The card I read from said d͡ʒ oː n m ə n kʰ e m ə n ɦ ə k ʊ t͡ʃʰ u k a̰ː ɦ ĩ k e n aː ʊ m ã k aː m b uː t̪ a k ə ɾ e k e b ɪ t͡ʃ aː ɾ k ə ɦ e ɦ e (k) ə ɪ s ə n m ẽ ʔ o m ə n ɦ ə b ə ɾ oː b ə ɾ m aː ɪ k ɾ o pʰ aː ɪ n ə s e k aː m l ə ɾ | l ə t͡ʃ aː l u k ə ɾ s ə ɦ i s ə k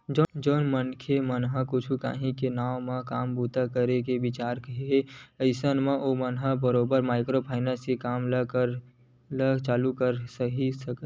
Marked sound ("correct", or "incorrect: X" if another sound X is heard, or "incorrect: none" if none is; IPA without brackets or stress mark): incorrect: none